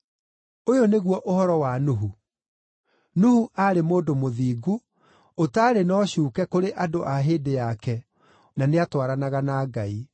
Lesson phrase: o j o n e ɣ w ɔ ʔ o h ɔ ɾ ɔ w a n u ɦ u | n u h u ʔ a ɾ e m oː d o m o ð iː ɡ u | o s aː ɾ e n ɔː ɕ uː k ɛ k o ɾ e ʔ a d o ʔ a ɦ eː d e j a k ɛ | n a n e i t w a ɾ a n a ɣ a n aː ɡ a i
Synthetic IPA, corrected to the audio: o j o n e ɣ w ɔ ʔ o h ɔ ɾ ɔ w a n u ɦ u | n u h u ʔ a ɾ e m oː d o m o ð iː ɡ u | o t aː ɾ e n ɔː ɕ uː k ɛ k o ɾ e ʔ a d o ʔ a ɦ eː d e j a k ɛ | n a n e a t w a ɾ a n a ɣ a n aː ɡ a i